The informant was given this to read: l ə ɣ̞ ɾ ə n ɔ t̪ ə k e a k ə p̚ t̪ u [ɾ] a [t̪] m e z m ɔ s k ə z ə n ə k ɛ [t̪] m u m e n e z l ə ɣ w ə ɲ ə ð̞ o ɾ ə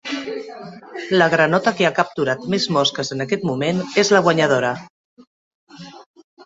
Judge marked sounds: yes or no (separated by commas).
yes, yes, yes